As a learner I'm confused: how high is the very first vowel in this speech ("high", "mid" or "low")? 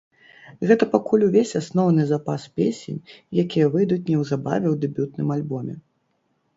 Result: mid